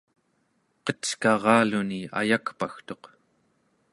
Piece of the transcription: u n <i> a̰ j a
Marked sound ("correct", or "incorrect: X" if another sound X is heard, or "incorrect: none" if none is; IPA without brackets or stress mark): correct